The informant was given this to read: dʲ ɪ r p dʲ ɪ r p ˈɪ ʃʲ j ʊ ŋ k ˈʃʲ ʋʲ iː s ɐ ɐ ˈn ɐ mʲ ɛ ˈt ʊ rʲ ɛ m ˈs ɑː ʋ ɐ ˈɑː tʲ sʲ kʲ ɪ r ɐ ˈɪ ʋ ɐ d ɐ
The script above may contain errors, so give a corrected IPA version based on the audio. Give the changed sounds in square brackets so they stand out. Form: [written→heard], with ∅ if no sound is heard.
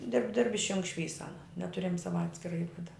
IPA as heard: dʲ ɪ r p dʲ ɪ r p ˈɪ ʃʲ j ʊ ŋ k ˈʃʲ ʋʲ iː s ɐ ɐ ˈn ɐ [mʲ→nʲ] ɛ ˈt ʊ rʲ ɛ m ˈs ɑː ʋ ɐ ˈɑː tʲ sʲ kʲ ɪ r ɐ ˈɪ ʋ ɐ d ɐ